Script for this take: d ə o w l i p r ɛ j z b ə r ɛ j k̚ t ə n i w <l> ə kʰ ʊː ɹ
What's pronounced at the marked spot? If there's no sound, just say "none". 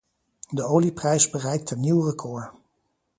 r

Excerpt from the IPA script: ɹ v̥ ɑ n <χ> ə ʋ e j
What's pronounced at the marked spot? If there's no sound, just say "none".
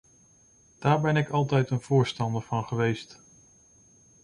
χ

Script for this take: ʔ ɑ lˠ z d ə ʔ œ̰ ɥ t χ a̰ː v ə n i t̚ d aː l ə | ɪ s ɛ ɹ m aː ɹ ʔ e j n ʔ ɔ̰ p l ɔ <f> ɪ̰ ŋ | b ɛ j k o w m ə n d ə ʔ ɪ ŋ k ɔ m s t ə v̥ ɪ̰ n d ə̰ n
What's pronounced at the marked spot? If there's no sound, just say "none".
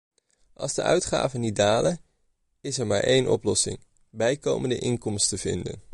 s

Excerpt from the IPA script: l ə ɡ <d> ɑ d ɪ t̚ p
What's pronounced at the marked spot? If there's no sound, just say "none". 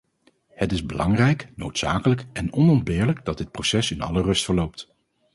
d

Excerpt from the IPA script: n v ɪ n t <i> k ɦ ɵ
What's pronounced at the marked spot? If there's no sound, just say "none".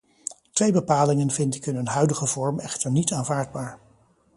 ɪ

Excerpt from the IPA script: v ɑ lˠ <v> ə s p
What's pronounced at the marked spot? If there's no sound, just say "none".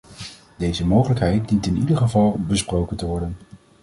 b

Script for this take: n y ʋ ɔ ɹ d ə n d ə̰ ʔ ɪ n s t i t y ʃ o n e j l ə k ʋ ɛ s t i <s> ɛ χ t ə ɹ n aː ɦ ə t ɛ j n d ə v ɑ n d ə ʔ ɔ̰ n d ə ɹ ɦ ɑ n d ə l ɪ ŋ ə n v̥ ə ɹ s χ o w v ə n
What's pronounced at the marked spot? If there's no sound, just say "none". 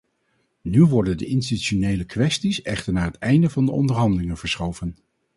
s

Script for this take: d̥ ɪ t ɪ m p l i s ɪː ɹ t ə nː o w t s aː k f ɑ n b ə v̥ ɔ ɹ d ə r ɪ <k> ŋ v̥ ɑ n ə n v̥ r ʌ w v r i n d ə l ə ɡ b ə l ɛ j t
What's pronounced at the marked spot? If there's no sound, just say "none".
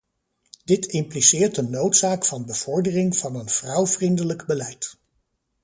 none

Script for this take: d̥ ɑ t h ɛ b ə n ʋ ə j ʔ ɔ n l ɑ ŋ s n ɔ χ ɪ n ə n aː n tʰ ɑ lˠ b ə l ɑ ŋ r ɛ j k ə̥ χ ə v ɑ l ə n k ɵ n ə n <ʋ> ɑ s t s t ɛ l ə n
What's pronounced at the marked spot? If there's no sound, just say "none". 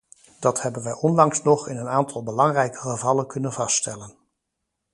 v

